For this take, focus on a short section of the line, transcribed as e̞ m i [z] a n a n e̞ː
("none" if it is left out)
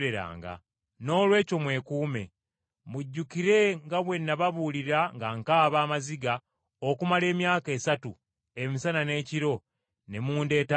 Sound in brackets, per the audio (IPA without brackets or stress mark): s